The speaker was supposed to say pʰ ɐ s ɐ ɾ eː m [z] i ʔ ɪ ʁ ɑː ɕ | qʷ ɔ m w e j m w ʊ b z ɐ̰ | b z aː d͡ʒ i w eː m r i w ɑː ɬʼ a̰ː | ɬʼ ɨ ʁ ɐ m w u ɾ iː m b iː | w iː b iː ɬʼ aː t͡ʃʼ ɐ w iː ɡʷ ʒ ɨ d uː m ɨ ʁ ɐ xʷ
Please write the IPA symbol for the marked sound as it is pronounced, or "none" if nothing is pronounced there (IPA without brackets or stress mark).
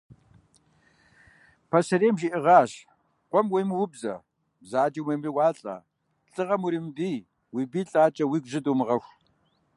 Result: ʒ